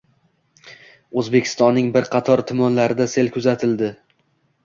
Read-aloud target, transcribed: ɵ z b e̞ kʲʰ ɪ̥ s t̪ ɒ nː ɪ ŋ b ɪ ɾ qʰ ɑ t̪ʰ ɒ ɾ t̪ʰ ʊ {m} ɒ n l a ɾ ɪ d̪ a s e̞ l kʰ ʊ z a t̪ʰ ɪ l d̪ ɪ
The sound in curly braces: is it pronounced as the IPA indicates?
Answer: yes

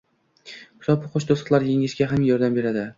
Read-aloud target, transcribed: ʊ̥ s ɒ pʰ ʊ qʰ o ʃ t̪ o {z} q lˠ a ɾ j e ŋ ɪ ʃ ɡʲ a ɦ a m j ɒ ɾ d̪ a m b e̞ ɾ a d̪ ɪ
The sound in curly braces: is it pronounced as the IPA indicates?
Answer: no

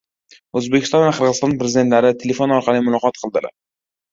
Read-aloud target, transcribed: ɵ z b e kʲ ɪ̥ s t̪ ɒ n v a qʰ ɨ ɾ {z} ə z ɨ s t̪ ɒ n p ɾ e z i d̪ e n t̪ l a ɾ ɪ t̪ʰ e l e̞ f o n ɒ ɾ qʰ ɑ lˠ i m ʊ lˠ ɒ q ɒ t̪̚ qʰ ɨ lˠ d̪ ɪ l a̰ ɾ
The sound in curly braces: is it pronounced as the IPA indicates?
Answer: no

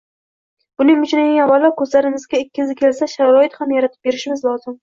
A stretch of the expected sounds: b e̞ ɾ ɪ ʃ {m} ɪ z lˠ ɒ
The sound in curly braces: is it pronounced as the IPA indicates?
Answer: yes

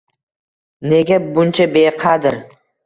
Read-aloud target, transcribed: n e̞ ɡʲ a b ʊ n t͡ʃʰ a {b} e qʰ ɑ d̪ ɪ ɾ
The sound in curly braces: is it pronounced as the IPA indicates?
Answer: yes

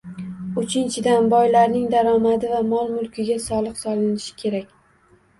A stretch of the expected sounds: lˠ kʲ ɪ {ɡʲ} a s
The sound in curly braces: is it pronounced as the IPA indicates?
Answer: yes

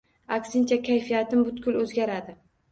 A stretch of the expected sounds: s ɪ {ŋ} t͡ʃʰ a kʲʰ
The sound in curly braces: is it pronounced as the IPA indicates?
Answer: no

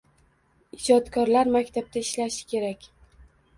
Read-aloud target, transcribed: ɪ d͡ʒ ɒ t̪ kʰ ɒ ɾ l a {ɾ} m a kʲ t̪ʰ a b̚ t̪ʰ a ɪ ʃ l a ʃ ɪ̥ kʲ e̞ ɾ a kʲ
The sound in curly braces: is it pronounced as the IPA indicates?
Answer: yes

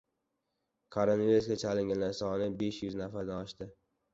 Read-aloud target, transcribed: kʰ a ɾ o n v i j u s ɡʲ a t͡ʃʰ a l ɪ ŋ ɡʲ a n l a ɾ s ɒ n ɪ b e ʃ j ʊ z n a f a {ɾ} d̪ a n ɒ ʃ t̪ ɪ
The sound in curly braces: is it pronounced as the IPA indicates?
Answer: yes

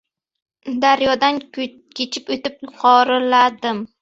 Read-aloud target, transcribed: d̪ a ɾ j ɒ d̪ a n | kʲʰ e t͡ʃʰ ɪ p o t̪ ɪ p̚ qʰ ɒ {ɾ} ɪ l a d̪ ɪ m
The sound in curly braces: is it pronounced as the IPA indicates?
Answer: yes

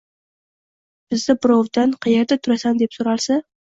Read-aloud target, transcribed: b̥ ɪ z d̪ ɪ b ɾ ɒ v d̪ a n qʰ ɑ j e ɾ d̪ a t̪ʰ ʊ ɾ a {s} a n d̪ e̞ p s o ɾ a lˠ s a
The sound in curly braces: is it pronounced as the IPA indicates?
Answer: yes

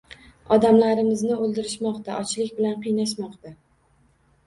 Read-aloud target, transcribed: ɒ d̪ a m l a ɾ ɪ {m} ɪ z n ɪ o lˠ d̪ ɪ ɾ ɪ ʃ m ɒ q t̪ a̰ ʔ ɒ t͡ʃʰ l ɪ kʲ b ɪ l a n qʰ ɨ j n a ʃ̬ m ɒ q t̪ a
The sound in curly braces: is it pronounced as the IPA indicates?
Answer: yes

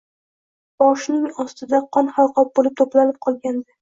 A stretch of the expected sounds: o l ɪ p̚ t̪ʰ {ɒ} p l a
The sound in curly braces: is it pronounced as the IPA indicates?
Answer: no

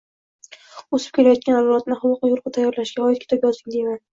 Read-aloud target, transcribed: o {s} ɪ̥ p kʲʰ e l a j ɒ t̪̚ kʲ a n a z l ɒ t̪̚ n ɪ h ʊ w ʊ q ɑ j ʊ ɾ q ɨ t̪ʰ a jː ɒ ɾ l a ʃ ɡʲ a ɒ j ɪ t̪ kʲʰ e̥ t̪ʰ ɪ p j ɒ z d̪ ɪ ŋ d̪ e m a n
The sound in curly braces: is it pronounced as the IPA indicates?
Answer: yes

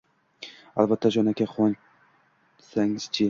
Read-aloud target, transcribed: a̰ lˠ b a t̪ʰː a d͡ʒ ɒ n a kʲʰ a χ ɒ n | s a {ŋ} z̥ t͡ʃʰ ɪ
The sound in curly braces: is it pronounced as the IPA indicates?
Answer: yes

